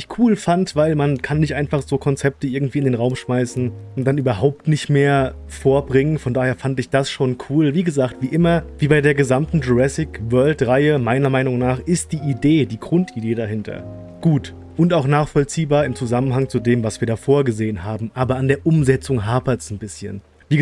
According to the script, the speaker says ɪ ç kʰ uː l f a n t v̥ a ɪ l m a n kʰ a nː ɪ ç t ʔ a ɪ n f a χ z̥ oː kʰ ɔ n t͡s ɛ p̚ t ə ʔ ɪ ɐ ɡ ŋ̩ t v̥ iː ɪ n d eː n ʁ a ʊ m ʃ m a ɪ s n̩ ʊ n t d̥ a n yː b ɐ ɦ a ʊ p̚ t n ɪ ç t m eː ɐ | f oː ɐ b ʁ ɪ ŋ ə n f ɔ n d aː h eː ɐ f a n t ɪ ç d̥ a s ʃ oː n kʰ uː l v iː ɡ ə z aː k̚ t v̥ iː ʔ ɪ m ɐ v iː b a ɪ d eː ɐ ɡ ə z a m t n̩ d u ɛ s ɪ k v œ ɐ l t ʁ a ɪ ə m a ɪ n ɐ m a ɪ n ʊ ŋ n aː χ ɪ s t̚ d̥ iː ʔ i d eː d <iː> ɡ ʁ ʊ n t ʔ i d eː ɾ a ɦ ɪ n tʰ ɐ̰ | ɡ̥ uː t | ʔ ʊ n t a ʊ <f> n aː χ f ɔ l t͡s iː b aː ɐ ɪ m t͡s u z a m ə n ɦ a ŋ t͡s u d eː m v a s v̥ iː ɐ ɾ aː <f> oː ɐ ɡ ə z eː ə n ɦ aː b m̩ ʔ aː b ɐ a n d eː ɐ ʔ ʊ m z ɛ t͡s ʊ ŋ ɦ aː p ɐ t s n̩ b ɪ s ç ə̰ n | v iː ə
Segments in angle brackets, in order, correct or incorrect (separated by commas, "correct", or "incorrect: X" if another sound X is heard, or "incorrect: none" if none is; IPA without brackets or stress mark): correct, incorrect: x, correct